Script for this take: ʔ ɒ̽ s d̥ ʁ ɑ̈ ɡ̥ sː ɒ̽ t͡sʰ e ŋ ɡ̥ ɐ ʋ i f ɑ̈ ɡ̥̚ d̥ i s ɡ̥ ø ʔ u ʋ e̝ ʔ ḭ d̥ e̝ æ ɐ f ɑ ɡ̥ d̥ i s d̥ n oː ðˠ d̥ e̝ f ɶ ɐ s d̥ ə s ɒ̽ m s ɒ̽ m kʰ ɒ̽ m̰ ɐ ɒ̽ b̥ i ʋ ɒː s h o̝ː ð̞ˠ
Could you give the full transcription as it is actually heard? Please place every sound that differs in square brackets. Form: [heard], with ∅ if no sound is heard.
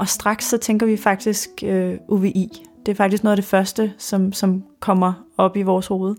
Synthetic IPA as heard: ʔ ɒ̽ s d̥ ʁ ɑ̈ ɡ̥ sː ɒ̽ t͡sʰ e ŋ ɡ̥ ɐ ʋ i f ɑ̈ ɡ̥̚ d̥ i s ɡ̥ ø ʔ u ʋ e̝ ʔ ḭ d̥ e̝ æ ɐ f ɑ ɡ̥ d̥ i s [ɡ̥] n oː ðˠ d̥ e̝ f ɶ ɐ s d̥ ə s ɒ̽ m s ɒ̽ m kʰ ɒ̽ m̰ ɐ ɒ̽ b̥ i ʋ ɒː s h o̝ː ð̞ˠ